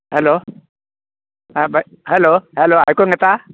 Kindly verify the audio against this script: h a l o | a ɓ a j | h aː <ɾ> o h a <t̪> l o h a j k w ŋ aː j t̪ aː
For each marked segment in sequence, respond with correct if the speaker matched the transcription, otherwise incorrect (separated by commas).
incorrect, incorrect